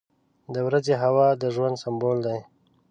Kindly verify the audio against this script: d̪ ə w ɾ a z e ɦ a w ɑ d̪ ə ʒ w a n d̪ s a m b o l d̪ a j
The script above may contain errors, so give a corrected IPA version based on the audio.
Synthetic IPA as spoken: d̪ ə w ɾ a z e ɦ a w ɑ d̪ ə ʒ w a n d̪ s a m b o l d̪ a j